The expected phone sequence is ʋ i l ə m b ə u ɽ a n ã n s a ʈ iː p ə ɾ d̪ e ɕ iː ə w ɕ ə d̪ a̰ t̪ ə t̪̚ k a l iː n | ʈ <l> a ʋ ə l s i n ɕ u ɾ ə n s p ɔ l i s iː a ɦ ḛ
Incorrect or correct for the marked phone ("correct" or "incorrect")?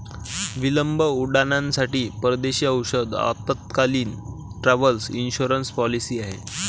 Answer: incorrect